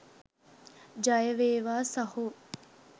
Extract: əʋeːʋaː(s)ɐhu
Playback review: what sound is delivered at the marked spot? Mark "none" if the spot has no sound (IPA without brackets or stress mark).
s